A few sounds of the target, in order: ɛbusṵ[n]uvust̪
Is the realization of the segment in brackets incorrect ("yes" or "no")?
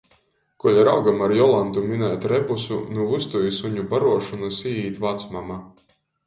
no